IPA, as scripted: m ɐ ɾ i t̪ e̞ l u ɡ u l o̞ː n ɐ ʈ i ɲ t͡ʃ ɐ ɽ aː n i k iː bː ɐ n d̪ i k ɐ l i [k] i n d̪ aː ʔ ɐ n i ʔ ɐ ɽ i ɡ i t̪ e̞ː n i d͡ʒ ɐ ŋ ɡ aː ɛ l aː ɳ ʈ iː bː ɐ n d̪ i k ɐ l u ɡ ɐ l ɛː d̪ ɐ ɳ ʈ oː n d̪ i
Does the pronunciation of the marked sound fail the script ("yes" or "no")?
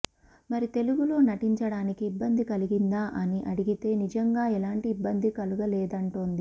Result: yes